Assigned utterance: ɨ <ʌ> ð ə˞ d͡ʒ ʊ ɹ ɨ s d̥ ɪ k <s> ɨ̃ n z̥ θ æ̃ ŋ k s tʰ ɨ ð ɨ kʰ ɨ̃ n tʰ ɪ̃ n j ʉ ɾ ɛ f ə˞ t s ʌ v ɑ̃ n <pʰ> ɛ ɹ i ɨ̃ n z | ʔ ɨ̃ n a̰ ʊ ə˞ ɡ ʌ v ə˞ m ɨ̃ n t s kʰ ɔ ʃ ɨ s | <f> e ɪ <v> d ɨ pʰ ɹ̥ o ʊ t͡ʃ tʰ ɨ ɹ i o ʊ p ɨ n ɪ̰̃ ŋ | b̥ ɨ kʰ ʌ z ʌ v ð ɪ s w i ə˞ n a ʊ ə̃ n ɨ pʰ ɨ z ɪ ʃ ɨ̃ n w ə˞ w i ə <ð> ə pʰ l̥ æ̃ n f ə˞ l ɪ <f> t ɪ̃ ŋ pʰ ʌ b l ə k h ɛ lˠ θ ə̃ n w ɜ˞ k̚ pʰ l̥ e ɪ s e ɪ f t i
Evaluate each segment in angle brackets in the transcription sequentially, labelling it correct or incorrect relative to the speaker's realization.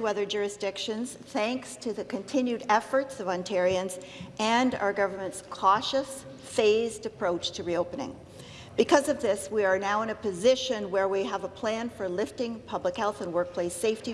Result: correct, incorrect: ʃ, incorrect: tʰ, correct, incorrect: z, incorrect: v, correct

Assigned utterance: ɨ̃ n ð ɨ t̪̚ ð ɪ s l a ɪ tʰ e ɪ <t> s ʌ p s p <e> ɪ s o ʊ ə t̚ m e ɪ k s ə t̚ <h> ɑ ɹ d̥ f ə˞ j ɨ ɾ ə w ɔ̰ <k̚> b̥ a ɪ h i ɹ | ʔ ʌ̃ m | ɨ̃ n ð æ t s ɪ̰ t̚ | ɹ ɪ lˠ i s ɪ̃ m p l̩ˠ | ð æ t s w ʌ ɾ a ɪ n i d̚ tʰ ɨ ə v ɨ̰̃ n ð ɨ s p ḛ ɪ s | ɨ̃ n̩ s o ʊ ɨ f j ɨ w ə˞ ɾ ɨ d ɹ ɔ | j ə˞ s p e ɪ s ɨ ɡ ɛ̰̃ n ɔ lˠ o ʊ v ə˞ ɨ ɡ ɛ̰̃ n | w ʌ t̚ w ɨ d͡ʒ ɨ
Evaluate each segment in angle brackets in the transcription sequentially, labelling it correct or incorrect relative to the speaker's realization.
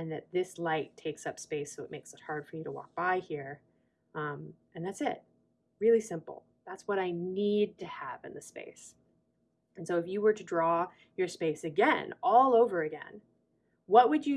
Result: incorrect: k, correct, correct, correct

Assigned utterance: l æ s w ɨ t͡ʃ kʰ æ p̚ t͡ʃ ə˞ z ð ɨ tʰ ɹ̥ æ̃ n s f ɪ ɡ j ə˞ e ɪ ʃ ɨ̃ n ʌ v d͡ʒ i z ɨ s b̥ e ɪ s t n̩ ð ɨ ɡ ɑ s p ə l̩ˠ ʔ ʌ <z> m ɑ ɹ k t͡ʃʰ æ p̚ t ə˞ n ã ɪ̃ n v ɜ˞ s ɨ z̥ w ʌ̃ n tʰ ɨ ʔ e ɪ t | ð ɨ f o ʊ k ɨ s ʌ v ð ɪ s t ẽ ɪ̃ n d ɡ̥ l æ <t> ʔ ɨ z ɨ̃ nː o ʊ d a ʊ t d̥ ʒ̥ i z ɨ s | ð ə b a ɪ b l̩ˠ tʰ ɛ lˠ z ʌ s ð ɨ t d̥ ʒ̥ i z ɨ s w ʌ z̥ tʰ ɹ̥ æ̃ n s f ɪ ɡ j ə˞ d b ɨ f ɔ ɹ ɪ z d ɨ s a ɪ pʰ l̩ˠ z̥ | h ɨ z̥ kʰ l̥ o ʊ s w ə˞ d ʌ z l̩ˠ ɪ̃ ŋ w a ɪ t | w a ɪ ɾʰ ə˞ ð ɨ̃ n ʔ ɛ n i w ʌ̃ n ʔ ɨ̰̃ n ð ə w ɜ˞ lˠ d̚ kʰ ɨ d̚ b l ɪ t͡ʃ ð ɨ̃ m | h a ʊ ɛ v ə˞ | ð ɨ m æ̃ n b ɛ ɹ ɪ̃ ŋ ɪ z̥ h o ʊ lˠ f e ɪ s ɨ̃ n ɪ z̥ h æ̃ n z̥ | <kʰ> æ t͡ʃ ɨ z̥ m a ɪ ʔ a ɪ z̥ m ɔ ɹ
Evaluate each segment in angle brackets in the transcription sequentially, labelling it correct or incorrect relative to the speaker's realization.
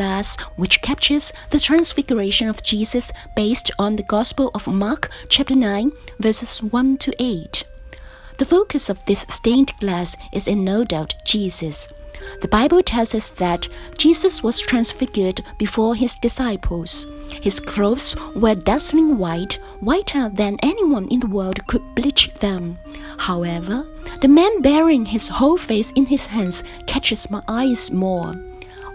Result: incorrect: v, incorrect: s, correct

